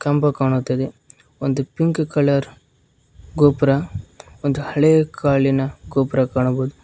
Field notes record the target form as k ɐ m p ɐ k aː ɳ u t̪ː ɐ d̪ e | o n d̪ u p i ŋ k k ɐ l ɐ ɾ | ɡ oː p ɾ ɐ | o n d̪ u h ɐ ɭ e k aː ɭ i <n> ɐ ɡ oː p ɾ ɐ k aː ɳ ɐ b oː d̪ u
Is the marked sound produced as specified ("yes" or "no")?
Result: yes